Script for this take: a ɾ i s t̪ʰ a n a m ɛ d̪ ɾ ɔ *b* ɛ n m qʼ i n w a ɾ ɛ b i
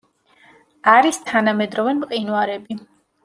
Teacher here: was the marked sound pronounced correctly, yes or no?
no